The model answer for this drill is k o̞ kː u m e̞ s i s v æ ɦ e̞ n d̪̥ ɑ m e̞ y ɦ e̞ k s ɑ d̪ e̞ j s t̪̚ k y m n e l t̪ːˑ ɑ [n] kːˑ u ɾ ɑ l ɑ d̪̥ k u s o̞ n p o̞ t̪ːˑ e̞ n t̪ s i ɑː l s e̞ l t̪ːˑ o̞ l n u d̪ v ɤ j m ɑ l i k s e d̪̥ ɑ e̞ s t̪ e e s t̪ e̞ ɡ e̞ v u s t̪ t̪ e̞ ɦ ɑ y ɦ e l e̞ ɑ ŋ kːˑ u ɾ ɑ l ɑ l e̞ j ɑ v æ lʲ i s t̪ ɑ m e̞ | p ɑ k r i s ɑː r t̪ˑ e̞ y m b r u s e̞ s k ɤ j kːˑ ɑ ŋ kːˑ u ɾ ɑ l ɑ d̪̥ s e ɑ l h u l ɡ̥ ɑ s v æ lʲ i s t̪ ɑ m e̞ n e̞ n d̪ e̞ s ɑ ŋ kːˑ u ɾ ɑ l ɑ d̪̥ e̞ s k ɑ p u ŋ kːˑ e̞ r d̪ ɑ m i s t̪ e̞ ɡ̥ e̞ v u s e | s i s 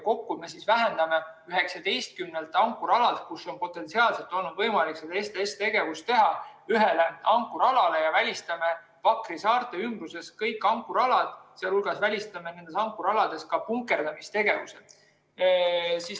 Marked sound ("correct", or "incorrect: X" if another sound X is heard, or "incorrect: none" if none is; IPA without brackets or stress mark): incorrect: ŋ